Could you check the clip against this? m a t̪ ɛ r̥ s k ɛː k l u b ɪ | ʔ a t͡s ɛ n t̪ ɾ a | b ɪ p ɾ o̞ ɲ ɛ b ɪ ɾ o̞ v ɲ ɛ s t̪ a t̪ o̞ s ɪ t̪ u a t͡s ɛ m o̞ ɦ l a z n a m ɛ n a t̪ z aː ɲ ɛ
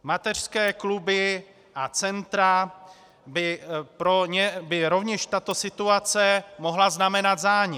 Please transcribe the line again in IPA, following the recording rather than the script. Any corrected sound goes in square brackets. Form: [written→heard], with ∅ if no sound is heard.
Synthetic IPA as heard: m a t̪ ɛ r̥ s k ɛː k l u b ɪ | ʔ a t͡s ɛ n t̪ ɾ a | b ɪ p ɾ o̞ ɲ ɛ b ɪ ɾ o̞ v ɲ ɛ [s→ʃ] t̪ a t̪ o̞ s ɪ t̪ u a t͡s ɛ m o̞ ɦ l a z n a m ɛ n a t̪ z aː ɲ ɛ